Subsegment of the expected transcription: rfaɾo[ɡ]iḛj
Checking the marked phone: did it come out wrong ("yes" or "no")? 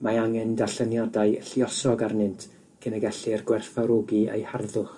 no